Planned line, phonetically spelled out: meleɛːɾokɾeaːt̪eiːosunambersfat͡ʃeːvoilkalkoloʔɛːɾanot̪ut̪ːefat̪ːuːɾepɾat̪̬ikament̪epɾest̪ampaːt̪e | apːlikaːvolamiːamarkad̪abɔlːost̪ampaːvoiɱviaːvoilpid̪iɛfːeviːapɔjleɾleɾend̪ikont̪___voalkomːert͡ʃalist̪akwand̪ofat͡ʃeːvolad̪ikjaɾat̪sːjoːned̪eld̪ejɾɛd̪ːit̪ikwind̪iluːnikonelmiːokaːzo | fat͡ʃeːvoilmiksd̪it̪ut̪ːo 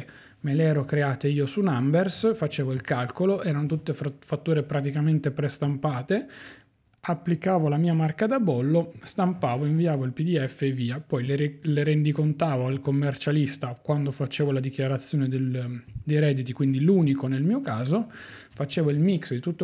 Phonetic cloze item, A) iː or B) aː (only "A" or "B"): B